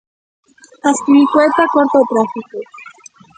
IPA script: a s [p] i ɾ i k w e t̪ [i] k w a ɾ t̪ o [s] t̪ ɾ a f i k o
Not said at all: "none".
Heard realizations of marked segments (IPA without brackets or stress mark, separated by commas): k, a, none